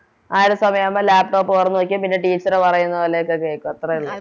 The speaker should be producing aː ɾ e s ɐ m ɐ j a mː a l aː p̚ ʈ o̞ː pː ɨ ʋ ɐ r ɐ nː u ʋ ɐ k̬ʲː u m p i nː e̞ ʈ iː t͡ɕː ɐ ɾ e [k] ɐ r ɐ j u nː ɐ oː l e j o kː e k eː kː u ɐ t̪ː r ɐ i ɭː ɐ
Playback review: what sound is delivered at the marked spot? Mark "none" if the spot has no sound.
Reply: p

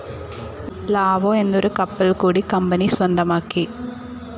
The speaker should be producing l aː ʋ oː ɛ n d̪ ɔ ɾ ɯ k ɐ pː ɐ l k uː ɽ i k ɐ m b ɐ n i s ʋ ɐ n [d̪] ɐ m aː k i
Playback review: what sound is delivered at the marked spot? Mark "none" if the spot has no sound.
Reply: d̪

